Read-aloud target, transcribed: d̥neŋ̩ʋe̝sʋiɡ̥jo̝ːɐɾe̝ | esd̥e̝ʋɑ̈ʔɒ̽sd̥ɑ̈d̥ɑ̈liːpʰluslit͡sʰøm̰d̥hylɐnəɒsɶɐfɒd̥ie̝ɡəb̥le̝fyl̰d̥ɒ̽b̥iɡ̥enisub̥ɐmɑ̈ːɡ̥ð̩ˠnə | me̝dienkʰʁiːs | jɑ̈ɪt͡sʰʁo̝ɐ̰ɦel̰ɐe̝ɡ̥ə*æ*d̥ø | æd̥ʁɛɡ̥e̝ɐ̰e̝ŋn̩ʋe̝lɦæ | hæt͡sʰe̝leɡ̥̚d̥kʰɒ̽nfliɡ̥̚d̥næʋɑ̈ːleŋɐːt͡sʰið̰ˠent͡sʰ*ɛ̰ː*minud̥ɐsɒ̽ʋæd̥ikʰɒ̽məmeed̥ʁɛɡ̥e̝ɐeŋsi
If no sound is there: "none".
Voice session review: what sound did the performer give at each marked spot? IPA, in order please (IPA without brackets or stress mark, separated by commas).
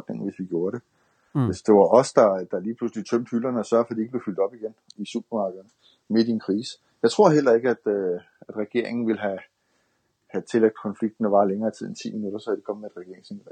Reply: æ, ḭː